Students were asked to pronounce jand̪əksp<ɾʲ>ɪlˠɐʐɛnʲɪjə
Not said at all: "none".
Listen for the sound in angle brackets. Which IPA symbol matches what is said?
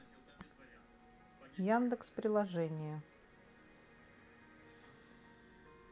ɾʲ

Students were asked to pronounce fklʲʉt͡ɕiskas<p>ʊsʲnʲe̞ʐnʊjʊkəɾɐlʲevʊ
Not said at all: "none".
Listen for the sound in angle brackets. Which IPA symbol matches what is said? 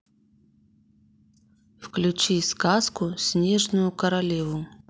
k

